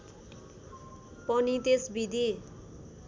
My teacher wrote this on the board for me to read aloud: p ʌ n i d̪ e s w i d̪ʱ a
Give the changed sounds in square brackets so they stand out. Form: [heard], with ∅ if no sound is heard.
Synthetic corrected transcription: p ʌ n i [t̪] e s [b] i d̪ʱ [i]